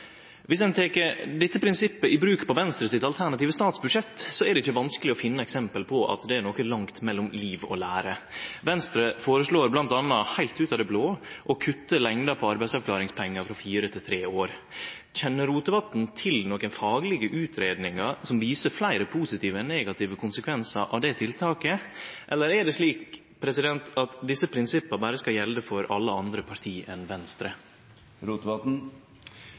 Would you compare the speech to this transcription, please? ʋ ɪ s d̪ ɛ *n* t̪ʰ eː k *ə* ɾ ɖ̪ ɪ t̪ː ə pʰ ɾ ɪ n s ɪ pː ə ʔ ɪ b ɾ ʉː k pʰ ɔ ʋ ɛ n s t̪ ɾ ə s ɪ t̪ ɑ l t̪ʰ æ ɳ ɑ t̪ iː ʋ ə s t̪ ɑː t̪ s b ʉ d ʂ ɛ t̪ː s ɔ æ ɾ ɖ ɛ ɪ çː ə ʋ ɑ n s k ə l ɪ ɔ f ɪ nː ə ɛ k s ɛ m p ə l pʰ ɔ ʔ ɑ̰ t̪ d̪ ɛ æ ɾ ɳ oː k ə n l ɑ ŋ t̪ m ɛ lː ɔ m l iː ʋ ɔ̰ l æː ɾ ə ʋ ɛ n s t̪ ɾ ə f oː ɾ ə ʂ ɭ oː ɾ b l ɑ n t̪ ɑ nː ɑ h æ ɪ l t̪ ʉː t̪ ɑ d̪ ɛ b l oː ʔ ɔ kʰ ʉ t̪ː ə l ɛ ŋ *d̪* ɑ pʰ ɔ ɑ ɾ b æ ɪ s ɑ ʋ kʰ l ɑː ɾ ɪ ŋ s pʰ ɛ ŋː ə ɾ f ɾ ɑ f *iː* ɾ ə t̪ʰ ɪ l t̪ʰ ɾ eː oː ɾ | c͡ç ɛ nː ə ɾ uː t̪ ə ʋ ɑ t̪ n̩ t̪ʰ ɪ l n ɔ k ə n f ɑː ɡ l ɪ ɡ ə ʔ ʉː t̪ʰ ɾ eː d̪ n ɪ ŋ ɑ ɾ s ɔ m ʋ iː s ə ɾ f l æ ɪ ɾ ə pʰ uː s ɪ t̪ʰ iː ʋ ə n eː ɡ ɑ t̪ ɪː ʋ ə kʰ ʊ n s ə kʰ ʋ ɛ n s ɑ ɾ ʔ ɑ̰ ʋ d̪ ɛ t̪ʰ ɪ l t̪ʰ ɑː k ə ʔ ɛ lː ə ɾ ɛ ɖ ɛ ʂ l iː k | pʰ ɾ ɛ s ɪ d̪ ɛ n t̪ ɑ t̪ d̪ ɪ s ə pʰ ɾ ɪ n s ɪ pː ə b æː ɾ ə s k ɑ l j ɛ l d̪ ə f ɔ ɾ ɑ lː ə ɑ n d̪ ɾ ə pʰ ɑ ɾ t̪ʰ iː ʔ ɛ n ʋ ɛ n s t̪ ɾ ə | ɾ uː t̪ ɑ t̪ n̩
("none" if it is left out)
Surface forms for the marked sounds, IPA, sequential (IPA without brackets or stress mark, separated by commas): n, ə, d̪, iː